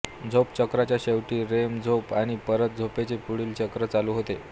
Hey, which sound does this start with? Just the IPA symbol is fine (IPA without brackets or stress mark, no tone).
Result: d͡zʱ